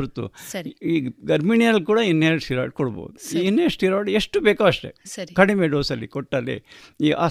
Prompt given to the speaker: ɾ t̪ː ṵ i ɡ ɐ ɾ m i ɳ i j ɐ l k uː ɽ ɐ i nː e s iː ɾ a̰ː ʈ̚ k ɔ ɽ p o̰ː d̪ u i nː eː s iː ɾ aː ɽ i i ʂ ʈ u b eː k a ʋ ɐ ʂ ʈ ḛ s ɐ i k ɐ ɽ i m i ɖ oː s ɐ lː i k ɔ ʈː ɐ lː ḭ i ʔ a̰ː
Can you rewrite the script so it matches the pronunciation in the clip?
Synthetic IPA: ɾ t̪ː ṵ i ɡ ɐ ɾ m i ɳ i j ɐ l k uː ɽ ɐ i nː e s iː ɾ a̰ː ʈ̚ k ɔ ɽ b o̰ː d̪ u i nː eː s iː ɾ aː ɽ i e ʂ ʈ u b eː k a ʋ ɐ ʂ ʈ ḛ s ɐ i k ɐ ɽ i m e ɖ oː s ɐ lː i k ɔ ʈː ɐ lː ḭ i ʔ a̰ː